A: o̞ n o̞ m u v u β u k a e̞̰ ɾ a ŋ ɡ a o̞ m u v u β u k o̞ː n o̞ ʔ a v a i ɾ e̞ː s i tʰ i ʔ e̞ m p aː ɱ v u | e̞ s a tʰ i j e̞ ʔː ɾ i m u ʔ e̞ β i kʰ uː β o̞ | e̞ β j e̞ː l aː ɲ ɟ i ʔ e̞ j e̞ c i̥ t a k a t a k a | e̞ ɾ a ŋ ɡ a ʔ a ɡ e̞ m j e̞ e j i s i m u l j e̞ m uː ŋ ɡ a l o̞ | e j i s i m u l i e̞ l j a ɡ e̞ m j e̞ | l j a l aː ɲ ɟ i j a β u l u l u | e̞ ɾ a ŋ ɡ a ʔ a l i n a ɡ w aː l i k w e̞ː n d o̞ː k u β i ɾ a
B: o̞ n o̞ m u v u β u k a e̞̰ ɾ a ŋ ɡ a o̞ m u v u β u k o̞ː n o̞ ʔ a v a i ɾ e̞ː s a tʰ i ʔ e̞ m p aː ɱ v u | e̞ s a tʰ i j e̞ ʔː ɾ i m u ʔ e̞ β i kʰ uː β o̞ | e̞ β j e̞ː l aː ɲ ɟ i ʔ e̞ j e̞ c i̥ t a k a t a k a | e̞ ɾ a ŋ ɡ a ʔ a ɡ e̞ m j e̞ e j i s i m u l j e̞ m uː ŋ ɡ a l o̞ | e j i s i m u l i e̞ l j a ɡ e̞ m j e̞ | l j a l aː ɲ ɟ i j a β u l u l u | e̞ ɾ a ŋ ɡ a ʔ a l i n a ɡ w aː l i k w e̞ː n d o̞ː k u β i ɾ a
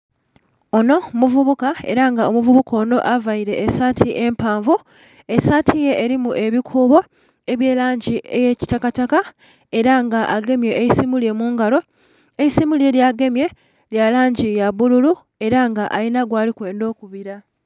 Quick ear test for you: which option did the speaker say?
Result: B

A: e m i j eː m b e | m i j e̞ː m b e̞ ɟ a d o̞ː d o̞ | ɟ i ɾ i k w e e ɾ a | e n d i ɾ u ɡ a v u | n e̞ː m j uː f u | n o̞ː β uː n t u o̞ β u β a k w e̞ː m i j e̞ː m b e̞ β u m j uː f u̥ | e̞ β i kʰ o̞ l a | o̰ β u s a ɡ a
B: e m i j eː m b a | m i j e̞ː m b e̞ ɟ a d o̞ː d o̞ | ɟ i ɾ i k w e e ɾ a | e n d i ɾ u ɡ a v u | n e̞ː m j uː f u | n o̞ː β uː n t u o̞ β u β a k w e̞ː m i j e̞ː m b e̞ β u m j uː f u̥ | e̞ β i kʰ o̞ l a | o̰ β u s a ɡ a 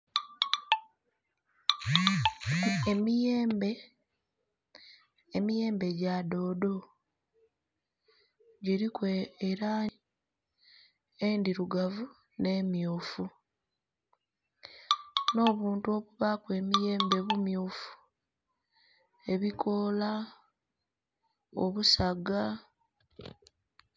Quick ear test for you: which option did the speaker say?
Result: A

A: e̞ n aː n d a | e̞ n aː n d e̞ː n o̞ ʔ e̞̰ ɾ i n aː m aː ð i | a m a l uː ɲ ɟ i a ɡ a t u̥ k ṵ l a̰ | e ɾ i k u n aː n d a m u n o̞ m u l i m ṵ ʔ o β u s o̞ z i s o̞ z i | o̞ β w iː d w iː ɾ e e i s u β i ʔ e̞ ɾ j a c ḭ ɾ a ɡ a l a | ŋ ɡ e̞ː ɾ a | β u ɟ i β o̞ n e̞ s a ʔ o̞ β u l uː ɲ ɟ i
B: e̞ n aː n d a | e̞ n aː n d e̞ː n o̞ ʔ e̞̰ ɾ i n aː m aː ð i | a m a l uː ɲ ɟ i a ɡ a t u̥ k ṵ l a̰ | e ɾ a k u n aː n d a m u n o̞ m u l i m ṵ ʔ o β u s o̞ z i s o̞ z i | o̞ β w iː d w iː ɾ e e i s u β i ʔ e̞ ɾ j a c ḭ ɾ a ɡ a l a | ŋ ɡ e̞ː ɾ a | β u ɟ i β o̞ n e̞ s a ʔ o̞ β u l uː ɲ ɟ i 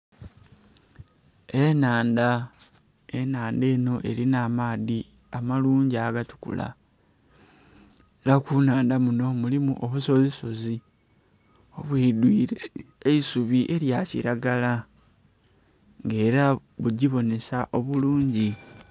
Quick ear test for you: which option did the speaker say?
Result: B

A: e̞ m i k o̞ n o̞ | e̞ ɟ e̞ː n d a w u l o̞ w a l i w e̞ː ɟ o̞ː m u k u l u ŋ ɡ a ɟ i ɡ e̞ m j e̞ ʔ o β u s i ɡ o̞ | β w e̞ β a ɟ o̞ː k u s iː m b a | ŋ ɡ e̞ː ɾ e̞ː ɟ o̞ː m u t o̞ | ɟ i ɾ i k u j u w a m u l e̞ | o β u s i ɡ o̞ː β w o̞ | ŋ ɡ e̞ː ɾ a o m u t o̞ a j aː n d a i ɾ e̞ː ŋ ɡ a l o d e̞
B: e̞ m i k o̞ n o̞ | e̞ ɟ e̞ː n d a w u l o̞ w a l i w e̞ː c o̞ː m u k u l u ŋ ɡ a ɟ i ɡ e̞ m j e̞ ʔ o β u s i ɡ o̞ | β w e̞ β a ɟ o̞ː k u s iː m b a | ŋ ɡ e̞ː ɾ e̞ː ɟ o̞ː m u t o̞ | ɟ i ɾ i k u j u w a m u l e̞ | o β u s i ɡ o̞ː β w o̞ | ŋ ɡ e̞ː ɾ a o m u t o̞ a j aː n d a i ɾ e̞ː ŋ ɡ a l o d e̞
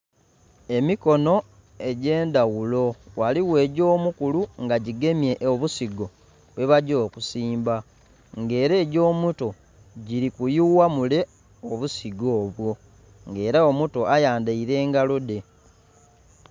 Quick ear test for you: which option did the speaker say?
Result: A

